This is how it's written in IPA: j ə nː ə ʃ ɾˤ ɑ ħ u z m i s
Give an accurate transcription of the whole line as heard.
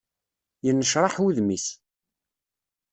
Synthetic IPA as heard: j ə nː ə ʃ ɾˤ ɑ ħ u ð m i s